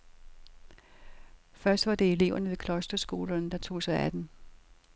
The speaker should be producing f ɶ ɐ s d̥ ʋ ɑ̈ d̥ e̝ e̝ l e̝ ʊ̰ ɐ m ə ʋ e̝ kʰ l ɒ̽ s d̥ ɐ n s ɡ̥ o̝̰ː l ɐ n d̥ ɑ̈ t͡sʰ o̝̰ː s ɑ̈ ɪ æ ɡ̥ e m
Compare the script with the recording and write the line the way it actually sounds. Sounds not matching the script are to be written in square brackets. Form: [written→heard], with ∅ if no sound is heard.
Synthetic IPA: f ɶ ɐ s d̥ ʋ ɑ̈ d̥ e̝ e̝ l e̝ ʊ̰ ɐ [m→n] ə ʋ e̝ kʰ l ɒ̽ s d̥ ɐ [n→∅] s ɡ̥ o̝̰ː l ɐ n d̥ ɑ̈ t͡sʰ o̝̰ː s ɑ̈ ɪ æ [ɡ̥→d̥] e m